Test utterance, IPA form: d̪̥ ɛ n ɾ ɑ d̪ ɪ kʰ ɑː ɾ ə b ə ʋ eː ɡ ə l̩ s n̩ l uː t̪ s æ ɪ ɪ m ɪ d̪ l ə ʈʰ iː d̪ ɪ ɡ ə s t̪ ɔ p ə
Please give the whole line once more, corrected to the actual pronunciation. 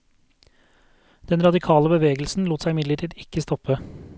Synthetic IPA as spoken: d̪̥ ɛ n ɾ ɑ d̪ ɪ kʰ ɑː l ə b ə ʋ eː ɡ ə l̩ s n̩ l uː t̪ s æ ɪ ɪ m ɪ d̪ l ə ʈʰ iː d̪ ɪ k ə s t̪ ɔ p ə